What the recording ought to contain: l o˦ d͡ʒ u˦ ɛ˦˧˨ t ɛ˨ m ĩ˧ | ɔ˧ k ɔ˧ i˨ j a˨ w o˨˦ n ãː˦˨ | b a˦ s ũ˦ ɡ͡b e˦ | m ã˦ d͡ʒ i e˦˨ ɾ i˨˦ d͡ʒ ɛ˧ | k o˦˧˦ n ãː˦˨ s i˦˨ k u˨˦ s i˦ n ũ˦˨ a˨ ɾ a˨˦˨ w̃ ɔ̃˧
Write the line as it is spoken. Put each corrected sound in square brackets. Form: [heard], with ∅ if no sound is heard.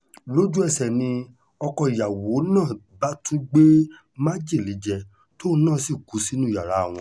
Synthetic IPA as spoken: l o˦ d͡ʒ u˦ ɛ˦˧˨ [s] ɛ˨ [n] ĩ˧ | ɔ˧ k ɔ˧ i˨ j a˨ w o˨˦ n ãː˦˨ | b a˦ [t] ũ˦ ɡ͡b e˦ | m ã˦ d͡ʒ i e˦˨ [l] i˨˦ d͡ʒ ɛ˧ | [t] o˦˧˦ n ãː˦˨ s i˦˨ k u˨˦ s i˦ n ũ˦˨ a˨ ɾ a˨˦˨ w̃ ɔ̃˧